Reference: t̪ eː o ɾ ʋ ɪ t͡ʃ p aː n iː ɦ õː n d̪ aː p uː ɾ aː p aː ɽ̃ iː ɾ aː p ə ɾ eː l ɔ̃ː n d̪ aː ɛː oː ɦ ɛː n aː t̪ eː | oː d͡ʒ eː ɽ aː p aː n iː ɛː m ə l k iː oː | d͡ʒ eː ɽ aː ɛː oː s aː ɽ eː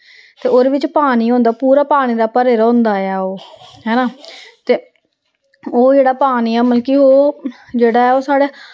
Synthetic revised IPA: t̪ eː o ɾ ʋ ɪ t͡ʃ p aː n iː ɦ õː n d̪ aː p uː ɾ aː p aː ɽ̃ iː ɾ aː p ə ɾ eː ɾ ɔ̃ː n d̪ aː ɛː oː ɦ ɛː n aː t̪ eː | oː d͡ʒ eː ɽ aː p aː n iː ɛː m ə l k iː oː | d͡ʒ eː ɽ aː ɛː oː s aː ɽ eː